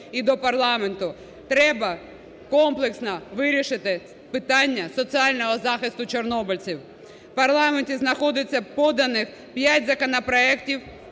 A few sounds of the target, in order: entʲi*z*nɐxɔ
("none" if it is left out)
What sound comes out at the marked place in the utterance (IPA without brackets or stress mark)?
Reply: z